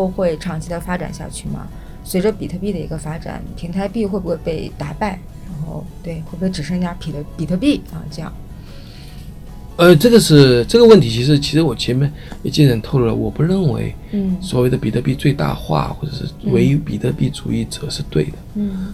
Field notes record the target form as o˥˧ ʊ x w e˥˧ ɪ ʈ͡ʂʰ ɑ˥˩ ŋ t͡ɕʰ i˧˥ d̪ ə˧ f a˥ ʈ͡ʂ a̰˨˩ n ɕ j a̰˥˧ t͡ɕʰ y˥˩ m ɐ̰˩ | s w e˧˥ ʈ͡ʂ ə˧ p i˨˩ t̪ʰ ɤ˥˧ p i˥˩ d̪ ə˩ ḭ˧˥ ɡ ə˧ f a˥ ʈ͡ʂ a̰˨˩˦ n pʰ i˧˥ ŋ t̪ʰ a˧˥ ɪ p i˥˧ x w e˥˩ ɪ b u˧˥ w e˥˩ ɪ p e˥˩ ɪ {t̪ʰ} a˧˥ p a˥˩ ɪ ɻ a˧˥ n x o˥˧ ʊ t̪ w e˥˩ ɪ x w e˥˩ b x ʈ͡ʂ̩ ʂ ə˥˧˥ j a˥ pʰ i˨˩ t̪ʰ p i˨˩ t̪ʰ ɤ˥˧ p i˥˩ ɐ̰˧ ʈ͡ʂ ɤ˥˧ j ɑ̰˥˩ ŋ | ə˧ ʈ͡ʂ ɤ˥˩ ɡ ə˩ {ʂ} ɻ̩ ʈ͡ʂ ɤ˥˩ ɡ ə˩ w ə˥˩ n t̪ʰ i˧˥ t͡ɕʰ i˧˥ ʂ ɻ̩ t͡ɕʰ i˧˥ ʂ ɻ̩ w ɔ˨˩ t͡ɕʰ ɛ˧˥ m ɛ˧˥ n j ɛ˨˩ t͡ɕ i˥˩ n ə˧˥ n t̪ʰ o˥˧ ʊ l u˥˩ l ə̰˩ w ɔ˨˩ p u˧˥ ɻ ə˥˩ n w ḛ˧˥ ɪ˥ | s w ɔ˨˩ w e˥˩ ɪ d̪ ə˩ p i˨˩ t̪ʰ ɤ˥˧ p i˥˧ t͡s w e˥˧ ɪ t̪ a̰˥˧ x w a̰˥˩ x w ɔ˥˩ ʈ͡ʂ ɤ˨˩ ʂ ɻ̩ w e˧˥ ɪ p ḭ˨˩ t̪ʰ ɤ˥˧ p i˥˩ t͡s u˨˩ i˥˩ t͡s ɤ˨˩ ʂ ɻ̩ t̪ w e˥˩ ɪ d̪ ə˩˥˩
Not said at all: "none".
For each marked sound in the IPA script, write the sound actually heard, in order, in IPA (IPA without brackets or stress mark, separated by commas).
t̪, ʂ